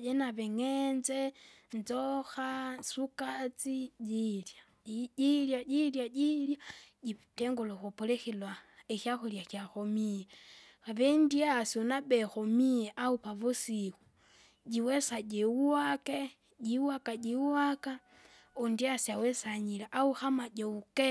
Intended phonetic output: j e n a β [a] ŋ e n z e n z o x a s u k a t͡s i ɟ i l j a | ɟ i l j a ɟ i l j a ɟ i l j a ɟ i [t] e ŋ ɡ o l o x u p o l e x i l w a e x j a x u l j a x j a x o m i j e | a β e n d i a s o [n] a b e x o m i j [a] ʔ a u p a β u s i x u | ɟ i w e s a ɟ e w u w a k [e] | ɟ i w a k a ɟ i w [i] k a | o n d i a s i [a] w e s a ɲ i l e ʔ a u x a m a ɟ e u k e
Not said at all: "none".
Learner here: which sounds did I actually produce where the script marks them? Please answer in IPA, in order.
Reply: e, t, n, e, e, a, a

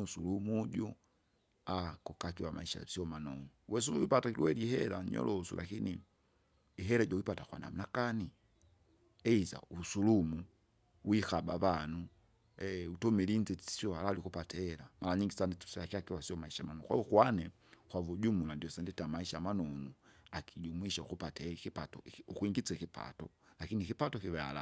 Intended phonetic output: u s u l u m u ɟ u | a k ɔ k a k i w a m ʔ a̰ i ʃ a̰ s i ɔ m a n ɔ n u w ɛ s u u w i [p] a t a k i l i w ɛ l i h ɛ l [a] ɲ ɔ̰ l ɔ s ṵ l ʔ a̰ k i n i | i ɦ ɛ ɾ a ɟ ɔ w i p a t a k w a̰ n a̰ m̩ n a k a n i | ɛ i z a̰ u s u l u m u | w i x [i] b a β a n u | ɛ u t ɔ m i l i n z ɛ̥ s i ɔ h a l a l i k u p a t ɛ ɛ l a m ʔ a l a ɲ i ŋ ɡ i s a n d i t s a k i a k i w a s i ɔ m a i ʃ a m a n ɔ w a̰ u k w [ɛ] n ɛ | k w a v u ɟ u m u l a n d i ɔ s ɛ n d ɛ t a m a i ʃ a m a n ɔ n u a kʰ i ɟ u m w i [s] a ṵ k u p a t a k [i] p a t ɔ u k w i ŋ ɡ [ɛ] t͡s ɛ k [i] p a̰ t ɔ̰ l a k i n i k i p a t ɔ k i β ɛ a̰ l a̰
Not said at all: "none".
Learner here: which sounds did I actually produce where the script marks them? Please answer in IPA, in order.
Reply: p, a, a, a, ʃ, i, i, i

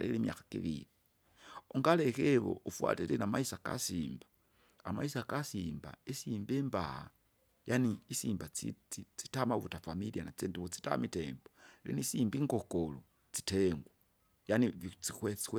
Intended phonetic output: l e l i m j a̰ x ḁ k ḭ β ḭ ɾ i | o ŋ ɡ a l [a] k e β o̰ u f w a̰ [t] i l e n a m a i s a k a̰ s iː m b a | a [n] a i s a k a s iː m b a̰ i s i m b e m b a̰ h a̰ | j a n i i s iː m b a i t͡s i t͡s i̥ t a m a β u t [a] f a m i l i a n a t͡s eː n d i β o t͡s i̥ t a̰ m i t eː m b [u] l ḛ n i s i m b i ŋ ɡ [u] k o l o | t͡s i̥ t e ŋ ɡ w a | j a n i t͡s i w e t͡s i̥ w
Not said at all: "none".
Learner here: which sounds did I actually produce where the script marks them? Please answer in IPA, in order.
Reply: e, t, m, a, o, o

